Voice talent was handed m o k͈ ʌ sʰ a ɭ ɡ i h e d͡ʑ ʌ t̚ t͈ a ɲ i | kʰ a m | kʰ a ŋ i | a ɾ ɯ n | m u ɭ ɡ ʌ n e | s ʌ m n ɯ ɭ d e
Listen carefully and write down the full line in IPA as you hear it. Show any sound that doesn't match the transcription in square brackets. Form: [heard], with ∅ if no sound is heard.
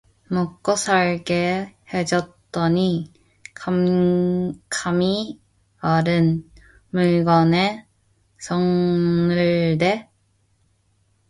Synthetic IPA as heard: m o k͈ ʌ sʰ a ɭ ɡ [e] h e d͡ʑ ʌ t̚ t͈ [ʌ] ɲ i | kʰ a m | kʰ a [m] i | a ɾ ɯ n | m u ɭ ɡ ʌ n e | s ʌ [ŋ] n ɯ ɭ d e

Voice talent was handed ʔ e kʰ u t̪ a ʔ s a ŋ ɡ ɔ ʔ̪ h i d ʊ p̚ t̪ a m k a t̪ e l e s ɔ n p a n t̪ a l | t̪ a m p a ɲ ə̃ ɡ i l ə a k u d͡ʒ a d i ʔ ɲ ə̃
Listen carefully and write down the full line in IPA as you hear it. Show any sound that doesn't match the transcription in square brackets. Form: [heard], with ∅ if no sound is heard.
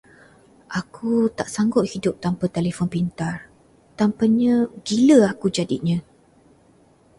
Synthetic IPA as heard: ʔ [a] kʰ u t̪ a ʔ s a ŋ ɡ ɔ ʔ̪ h i d ʊ p̚ t̪ a m [p] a t̪ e l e [f] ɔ n p [i] n t̪ a [r] | t̪ a m p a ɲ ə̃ ɡ i l ə a k u d͡ʒ a d i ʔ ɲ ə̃

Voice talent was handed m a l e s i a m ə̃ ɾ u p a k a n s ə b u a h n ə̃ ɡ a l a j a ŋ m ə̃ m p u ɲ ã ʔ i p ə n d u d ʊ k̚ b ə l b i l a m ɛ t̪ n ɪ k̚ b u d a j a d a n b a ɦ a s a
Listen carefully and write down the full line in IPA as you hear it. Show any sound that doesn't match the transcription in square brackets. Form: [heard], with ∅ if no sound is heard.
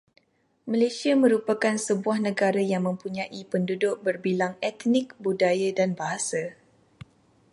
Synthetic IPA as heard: m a l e s i a m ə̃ ɾ u p a k a n s ə b u a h n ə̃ ɡ a [ɾ] a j a ŋ m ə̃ m p u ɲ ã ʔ i p ə n d u d ʊ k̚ b ə [r] b i l a [ŋ] ɛ t̪ n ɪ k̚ b u d a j a d a n b a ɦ a s a

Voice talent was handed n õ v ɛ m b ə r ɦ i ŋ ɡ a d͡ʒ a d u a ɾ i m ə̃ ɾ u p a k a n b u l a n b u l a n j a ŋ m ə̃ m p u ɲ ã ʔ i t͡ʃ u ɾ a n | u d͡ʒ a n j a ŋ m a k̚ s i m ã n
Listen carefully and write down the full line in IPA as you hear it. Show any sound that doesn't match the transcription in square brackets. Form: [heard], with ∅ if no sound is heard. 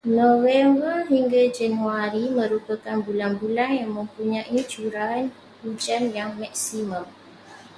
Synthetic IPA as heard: n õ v ɛ m b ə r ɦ i ŋ ɡ a d͡ʒ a [n] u a ɾ i m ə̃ ɾ u p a k a n b u l a n b u l a n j a ŋ m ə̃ m p u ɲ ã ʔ i t͡ʃ u ɾ a n | u d͡ʒ a n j a ŋ m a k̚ s i m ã [m]

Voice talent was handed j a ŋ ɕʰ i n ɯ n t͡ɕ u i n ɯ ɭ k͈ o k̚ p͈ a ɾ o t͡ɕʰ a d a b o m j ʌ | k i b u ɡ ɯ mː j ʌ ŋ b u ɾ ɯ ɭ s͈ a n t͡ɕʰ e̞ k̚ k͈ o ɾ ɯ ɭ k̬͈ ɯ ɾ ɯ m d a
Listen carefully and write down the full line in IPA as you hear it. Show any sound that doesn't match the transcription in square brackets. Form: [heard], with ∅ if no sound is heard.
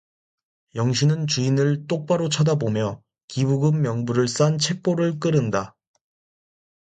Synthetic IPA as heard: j [ʌ] ŋ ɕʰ i n ɯ n t͡ɕ u i n ɯ ɭ [t͈] o k̚ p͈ a ɾ o t͡ɕʰ a d a b o m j ʌ | k i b u ɡ ɯ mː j ʌ ŋ b u ɾ ɯ ɭ s͈ a n t͡ɕʰ e̞ k̚ [p͈] o ɾ ɯ ɭ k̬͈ ɯ ɾ ɯ [n] d a

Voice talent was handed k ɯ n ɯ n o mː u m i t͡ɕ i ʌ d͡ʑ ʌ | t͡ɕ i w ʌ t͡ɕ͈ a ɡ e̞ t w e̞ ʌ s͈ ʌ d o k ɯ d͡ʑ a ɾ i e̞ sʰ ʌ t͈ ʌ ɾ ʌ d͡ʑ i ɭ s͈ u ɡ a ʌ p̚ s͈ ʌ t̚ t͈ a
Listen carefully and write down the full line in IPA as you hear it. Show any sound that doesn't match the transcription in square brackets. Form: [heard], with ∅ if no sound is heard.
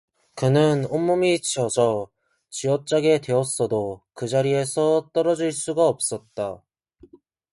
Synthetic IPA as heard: k ɯ n ɯ n o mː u m i t͡ɕ i ʌ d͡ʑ ʌ | t͡ɕ i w ʌ t͡ɕ͈ a ɡ e̞ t w e̞ ʌ s͈ ʌ d o k ɯ d͡ʑ a ɾ i e̞ sʰ ʌ t͈ ʌ ɾ ʌ d͡ʑ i ɭ s͈ u ɡ a ʌ p̚ s͈ ʌ t̚ t͈ a

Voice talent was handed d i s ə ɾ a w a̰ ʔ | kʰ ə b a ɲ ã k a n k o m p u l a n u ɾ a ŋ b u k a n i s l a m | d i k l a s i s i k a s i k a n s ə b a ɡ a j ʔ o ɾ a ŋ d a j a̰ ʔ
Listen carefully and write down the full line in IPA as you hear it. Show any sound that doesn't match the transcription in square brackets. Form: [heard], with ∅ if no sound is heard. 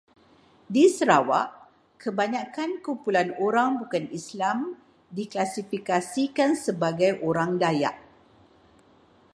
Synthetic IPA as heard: d i s ə ɾ a w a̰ ʔ | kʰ ə b a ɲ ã k a n k [u] m p u l a n [o] ɾ a ŋ b u k a n i s l a m | d i k l a s i [f] i k a s i k a n s ə b a ɡ a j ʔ o ɾ a ŋ d a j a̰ ʔ

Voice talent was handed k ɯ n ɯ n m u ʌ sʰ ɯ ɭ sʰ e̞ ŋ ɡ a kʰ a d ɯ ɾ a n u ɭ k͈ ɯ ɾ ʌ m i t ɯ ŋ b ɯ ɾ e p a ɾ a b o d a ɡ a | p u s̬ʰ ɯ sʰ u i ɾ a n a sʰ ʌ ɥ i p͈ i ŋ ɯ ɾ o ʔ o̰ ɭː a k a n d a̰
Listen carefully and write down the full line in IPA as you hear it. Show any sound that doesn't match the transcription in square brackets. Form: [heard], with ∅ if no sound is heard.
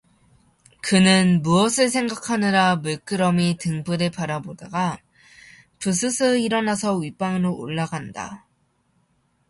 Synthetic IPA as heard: k ɯ n ɯ n m u ʌ sʰ ɯ ɭ sʰ e̞ ŋ ɡ a kʰ a [n] ɯ ɾ a [m] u ɭ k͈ ɯ ɾ ʌ m i t ɯ ŋ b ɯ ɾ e p a ɾ a b o d a ɡ a | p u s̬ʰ ɯ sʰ [ɯ] i ɾ [ʌ] n a sʰ ʌ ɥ i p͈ [a] ŋ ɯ ɾ o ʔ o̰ ɭː a [ɡ] a n d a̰

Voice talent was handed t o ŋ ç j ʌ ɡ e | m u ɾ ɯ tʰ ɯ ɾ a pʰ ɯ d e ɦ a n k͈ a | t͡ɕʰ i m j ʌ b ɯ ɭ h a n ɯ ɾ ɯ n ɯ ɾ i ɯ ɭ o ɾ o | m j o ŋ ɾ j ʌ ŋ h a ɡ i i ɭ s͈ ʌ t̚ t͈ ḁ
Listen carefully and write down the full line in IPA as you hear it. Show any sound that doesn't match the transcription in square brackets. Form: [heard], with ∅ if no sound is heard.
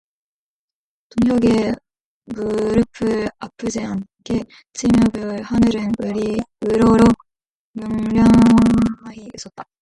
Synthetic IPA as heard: t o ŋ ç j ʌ ɡ e | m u ɾ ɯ [pʰ] ɯ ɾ a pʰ ɯ [d͡ʑ] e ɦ a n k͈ [e] | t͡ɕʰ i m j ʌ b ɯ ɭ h a n ɯ ɾ ɯ n ɯ ɾ i ɯ [ɾ] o ɾ o | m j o ŋ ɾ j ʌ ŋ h a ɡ i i [∅] s͈ ʌ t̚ t͈ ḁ

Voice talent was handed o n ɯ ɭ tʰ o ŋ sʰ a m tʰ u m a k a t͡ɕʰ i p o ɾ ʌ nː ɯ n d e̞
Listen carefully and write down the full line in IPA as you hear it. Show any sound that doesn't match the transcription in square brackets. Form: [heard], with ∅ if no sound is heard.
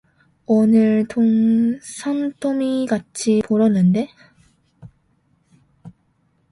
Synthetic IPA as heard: o n ɯ ɭ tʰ o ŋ sʰ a m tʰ [o] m [i] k a t͡ɕʰ i p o ɾ ʌ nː ɯ n d e̞

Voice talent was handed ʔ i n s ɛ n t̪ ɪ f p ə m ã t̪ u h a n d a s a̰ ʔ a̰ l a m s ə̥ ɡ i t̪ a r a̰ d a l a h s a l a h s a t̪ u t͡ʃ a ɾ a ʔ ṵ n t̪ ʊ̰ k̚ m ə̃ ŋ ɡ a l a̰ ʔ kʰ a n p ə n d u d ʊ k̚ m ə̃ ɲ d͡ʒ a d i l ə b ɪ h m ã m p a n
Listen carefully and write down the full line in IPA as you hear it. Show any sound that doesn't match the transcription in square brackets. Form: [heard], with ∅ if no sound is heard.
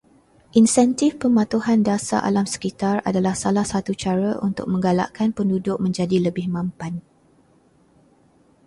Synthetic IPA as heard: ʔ i n s ɛ n t̪ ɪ f p ə m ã t̪ u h a n d a s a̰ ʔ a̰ l a m s ə̥ [k] i t̪ a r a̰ d a l a h s a l a h s a t̪ u t͡ʃ a ɾ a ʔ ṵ n t̪ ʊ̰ k̚ m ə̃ ŋ ɡ a l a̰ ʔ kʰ a n p ə n d u d ʊ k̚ m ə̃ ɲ d͡ʒ a d i l ə b ɪ h m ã m p a n

